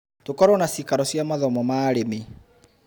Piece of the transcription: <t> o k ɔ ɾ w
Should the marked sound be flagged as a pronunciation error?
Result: no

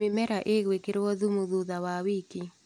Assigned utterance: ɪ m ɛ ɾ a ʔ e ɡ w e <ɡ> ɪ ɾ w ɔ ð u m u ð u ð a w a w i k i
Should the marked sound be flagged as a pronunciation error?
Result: yes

